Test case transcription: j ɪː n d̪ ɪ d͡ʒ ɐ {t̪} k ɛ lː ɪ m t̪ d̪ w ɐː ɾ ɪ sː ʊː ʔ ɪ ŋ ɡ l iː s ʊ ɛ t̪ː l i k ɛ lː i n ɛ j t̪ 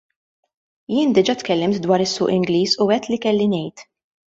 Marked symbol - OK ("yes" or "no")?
yes